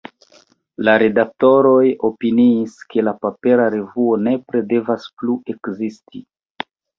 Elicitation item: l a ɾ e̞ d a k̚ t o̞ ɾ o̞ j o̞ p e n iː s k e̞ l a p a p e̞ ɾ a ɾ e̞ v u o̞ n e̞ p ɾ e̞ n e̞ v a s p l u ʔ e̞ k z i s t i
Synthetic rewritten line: l a ɾ e̞ d a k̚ t o̞ ɾ o̞ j o̞ p i n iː s k e̞ l a p a p e̞ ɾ a ɾ e̞ v u o̞ n e̞ p ɾ e̞ d e̞ v a s p l u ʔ e̞ k z i s t i